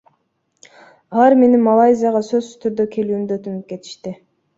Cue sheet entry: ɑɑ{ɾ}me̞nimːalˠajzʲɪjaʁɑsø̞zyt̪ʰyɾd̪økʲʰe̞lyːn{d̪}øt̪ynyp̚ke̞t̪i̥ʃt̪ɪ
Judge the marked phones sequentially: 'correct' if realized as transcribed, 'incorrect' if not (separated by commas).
correct, correct